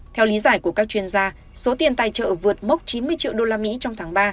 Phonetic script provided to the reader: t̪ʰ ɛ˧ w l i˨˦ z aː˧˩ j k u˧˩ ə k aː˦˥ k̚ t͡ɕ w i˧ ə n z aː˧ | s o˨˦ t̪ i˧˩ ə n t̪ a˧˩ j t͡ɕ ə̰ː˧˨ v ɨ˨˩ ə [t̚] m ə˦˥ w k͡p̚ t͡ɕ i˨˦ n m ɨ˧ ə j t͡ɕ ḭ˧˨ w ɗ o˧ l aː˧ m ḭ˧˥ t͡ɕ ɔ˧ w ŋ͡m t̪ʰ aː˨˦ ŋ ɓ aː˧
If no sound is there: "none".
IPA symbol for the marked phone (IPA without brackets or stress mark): t̚